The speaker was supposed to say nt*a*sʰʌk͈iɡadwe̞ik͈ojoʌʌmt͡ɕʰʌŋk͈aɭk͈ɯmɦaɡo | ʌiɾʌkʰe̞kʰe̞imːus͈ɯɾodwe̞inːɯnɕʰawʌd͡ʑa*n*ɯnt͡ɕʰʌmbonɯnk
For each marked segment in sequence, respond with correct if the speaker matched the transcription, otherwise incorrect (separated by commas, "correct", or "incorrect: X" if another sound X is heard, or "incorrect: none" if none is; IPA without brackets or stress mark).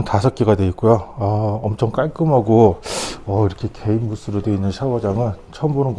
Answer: correct, incorrect: ŋ